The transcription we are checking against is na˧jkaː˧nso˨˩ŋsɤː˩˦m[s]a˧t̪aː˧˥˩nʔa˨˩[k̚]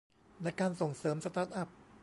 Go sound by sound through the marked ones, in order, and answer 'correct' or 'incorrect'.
correct, incorrect

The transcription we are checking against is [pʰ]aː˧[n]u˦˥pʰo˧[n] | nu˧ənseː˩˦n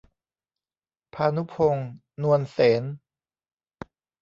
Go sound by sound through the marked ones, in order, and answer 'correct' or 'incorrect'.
correct, correct, incorrect

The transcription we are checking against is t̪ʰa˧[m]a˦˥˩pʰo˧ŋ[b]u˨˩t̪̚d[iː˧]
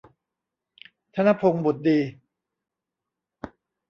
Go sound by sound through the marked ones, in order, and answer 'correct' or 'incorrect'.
incorrect, correct, correct

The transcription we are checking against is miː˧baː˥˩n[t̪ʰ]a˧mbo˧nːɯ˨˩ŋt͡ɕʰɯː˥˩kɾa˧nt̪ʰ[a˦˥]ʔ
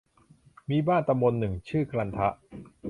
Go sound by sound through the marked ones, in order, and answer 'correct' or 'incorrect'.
incorrect, correct

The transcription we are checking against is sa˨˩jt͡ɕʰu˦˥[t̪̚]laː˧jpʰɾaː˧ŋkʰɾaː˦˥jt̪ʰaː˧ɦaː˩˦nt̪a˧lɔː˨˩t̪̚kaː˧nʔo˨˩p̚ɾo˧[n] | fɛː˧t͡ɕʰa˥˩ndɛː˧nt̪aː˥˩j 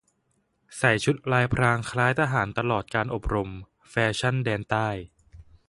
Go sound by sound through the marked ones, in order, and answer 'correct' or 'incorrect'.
correct, incorrect

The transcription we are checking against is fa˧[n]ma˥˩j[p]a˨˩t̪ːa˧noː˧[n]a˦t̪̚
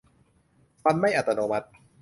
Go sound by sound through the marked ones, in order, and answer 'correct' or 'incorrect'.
correct, incorrect, incorrect

